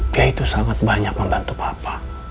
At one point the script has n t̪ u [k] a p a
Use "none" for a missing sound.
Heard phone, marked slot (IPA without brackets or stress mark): p